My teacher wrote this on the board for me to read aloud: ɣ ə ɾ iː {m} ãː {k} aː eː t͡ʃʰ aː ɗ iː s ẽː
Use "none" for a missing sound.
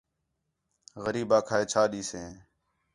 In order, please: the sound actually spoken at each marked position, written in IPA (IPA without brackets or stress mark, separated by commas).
b, kʰ